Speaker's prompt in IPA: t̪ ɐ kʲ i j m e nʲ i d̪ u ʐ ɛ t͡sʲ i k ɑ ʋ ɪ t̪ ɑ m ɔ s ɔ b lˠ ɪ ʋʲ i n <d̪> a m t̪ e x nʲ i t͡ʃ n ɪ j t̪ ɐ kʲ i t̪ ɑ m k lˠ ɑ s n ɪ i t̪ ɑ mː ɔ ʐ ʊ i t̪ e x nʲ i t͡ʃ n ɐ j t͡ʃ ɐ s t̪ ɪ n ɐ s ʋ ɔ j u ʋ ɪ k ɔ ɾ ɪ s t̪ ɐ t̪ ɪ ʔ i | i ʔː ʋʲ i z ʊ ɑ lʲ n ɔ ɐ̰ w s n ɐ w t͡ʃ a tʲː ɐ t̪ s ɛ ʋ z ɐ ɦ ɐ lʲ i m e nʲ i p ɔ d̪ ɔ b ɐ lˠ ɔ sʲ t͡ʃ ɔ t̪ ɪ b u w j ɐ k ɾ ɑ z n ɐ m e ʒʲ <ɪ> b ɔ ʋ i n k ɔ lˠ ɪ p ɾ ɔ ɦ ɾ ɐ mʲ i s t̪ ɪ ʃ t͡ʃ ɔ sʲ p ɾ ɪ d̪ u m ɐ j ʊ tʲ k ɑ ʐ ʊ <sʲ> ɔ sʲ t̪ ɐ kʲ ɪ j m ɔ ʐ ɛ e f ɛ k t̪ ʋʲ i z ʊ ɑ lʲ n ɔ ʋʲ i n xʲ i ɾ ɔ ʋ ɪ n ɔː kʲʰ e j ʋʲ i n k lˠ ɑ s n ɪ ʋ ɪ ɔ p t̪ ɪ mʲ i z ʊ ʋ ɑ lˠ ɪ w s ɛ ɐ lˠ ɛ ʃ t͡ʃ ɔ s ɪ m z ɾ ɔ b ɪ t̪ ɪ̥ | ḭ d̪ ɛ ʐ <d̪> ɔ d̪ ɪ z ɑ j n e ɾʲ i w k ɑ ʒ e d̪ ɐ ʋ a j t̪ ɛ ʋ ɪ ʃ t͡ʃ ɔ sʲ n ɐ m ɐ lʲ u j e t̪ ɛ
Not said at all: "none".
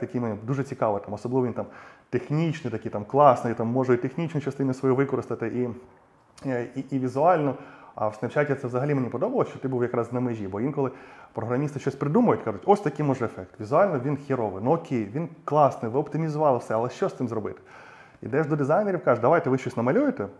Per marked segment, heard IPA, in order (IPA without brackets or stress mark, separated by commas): t̪, i, tʲ, d̪